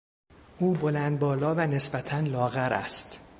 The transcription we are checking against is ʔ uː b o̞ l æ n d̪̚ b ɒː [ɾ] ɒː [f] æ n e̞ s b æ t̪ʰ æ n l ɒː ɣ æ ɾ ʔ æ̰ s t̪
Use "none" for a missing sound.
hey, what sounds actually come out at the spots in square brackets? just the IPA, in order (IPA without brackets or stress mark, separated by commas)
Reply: l, v